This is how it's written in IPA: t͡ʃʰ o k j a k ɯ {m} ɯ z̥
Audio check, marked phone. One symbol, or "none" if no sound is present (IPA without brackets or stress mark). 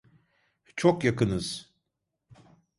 n